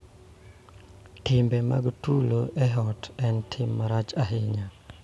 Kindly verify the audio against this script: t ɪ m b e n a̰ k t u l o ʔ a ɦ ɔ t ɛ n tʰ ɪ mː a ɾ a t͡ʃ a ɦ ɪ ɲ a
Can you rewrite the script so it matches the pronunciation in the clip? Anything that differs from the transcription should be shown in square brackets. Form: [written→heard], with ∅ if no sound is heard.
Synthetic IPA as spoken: t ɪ m b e [n→m] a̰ [k→ɡ] t u l o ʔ [a→ɛ] ɦ ɔ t ɛ n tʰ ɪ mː a ɾ a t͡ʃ a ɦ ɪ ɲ a

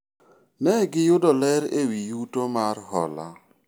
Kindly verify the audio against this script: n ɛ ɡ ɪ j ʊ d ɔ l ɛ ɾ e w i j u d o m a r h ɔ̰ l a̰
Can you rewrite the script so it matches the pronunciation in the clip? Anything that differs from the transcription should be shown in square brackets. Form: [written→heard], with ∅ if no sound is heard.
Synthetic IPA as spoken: n ɛ ɡ ɪ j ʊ d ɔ l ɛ ɾ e w i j u [d→t] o m a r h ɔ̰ l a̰

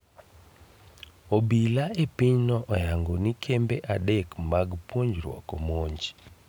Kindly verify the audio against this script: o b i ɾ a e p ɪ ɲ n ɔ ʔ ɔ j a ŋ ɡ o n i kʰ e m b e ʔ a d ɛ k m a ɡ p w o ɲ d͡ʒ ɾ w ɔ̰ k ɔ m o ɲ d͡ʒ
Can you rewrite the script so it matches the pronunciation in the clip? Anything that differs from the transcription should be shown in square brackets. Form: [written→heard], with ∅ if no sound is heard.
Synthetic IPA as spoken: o b i [ɾ→l] a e p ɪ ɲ n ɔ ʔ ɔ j a ŋ ɡ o n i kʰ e m b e ʔ a d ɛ k m a ɡ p w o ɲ d͡ʒ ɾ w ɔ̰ k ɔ m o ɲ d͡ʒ

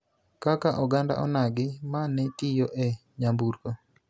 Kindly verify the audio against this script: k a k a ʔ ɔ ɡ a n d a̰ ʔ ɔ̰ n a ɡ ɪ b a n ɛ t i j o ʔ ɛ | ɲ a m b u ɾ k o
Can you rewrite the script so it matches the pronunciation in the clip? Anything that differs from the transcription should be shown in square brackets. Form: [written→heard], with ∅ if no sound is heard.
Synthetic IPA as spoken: k a k a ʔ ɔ ɡ a n d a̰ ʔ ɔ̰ n a ɡ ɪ [b→m] a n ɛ t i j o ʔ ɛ | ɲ a m b u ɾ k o

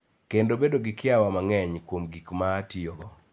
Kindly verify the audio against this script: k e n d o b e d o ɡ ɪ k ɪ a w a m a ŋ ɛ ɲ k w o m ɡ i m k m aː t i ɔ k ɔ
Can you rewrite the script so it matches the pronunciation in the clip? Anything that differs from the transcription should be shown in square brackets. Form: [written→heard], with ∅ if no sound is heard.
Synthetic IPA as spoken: k e n d o b e d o ɡ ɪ k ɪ a w a m a ŋ ɛ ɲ k w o m ɡ i [m→∅] k m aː t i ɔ [k→ɡ] ɔ

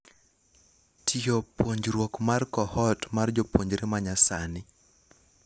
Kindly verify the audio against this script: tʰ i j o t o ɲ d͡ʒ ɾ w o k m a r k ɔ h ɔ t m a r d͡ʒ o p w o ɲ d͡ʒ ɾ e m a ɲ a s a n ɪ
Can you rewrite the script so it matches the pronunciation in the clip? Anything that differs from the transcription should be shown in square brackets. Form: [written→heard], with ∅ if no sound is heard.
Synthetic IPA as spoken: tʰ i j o [t→p] o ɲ d͡ʒ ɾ w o k m a r k ɔ h ɔ t m a r d͡ʒ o p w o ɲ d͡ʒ ɾ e m a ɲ a s a n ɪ

